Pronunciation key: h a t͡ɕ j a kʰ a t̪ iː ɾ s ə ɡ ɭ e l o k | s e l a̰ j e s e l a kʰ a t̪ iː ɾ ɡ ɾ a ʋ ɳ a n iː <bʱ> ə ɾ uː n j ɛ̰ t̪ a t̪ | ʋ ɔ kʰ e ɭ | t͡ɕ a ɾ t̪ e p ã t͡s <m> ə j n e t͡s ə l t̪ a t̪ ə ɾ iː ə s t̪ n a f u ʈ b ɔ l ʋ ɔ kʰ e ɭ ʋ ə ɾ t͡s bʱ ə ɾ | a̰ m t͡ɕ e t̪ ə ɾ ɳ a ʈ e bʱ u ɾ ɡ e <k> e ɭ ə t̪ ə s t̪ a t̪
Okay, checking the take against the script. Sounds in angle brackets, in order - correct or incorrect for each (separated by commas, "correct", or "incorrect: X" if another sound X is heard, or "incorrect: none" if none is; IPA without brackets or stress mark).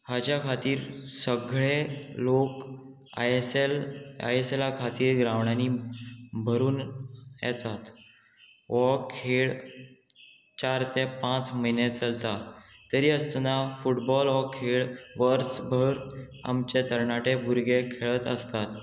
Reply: correct, correct, incorrect: kʰ